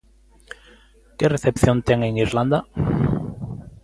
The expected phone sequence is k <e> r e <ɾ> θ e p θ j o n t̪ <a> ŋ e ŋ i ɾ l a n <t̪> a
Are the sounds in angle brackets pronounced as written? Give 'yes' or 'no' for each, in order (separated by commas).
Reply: yes, no, no, no